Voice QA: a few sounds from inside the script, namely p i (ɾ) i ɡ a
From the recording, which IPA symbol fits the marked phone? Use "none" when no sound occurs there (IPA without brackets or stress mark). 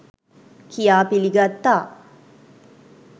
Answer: l